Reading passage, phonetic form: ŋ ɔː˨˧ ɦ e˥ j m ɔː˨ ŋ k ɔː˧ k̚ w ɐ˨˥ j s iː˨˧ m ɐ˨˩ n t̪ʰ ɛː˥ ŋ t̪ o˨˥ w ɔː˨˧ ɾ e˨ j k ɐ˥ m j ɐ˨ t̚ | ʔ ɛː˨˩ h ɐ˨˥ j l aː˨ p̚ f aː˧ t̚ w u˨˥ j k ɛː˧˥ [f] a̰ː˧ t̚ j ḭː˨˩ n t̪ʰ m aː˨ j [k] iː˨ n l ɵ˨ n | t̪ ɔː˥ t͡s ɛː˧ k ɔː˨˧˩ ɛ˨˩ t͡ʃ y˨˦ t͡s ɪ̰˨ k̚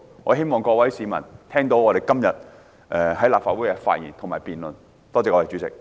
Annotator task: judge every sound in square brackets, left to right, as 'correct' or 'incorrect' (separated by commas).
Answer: correct, incorrect